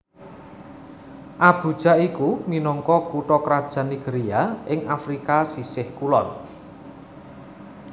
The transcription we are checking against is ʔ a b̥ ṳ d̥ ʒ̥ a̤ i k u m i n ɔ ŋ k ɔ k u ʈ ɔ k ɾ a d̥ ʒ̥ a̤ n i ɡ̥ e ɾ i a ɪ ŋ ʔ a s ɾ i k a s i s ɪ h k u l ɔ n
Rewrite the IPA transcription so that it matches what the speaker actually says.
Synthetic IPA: ʔ a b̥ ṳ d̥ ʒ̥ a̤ i k u m i n ɔ ŋ k ɔ k u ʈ ɔ k ɾ a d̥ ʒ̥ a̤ n i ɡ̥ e ɾ i a ɪ ŋ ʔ a f ɾ i k a s i s ɪ h k u l ɔ n